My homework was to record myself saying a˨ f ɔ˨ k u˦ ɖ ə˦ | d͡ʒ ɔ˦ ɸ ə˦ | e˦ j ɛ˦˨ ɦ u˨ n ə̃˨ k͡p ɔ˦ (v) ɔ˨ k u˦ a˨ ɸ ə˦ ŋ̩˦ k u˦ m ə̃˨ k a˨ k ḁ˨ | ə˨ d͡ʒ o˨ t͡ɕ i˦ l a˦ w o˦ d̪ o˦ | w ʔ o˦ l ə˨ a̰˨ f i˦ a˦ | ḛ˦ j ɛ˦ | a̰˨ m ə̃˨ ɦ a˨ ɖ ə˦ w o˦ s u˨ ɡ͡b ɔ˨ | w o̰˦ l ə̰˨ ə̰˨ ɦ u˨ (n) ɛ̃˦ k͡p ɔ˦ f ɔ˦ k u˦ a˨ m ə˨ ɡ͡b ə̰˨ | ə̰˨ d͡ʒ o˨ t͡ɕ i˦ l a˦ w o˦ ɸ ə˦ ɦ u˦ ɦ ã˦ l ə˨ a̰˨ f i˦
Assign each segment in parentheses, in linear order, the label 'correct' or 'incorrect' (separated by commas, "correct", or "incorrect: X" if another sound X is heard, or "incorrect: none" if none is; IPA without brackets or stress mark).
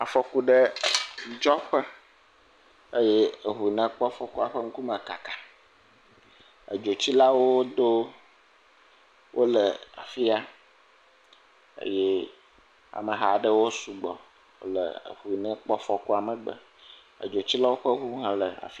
incorrect: f, correct